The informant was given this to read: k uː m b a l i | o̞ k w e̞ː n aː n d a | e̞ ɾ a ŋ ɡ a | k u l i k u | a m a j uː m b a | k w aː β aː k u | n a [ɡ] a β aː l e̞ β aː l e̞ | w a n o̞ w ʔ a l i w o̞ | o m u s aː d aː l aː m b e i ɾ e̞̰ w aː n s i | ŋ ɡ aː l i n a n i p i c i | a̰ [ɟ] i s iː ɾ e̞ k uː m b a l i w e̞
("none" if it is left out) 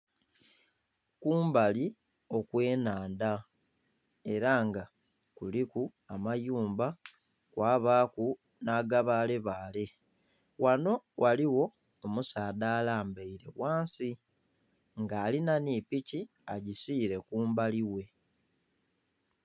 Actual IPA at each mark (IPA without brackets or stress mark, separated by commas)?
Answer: ɡ, ɟ